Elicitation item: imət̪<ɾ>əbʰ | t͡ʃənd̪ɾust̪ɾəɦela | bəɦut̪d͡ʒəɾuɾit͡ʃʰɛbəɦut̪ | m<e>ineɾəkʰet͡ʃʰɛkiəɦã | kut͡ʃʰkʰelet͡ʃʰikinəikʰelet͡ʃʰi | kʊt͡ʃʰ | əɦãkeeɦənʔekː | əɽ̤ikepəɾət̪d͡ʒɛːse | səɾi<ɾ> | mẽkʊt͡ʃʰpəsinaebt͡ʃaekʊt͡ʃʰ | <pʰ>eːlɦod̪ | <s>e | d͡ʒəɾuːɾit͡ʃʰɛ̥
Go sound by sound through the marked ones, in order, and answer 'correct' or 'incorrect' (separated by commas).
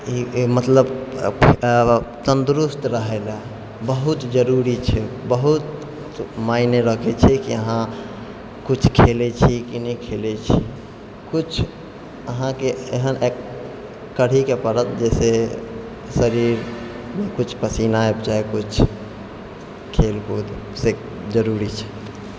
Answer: incorrect, incorrect, correct, incorrect, correct